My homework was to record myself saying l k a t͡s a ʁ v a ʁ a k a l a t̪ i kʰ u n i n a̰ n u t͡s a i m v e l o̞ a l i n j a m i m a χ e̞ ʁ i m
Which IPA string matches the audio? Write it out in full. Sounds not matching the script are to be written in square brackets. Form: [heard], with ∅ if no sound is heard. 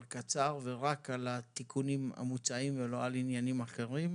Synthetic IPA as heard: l k a t͡s a ʁ v [e] ʁ a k a l a t̪ i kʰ u n i [m] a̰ [m] u t͡s a i m v e l o̞ a l i n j a [n] i m a χ e̞ ʁ i m